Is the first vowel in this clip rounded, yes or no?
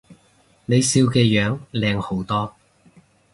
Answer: no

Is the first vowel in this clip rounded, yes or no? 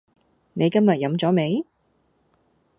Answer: no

